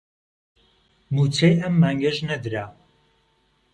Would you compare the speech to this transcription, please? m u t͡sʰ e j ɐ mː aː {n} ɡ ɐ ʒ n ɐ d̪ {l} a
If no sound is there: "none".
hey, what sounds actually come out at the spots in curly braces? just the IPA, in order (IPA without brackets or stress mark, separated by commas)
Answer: ŋ, ɾ